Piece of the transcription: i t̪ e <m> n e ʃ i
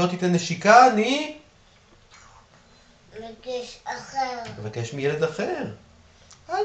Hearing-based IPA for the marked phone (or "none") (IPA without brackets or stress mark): none